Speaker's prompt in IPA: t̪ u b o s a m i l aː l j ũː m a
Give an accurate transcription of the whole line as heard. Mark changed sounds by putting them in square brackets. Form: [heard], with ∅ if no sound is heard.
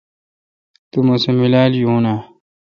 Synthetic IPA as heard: t̪ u [m] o s [e] m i l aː l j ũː [n] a